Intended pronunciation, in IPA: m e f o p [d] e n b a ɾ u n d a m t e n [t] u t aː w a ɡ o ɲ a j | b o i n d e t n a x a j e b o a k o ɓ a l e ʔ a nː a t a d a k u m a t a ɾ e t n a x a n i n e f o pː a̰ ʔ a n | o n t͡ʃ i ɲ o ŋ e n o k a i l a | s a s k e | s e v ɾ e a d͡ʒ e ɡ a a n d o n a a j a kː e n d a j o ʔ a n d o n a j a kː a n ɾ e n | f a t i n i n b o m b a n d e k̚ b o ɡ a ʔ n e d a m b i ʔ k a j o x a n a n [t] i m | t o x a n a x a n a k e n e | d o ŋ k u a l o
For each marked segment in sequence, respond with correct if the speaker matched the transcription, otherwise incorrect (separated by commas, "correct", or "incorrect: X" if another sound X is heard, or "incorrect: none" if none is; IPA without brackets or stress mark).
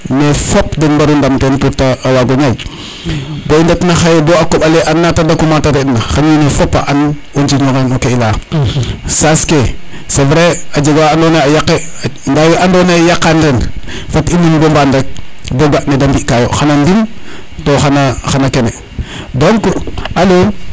correct, correct, incorrect: d